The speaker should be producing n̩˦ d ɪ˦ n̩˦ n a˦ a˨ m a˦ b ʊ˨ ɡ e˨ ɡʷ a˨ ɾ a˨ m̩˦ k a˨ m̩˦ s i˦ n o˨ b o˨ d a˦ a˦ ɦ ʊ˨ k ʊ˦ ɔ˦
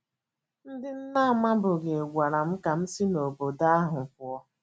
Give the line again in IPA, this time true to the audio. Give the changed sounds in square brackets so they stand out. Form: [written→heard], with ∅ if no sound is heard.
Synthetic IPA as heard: n̩˦ d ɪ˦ n̩˦ n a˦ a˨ m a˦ b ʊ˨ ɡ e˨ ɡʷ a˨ ɾ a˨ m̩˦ k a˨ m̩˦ s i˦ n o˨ b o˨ d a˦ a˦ ɦ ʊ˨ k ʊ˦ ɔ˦